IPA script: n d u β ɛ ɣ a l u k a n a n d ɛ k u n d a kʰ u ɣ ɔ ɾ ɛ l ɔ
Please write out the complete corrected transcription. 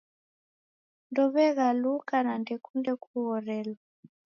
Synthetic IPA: n d ɔ β ɛ ɣ a l u k a n a n d ɛ k u n d ɛ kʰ u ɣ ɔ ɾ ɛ l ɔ